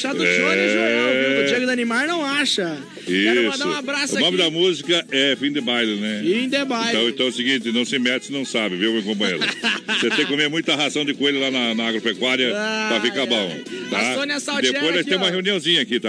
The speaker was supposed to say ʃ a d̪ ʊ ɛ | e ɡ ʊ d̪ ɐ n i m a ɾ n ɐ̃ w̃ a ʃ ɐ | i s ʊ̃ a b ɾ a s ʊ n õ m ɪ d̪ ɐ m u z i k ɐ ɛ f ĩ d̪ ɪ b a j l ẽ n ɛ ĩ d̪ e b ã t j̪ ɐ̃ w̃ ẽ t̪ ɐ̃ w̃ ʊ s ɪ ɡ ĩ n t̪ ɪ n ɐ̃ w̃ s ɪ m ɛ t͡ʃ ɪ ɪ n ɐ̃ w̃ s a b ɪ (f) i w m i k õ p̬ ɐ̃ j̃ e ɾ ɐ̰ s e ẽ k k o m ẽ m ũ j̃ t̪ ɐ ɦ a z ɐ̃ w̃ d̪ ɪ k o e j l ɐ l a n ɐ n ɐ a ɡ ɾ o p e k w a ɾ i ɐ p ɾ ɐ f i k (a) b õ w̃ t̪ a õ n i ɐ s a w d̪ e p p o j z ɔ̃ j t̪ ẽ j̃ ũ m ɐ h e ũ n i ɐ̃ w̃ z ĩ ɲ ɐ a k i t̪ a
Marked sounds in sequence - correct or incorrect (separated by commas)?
incorrect, correct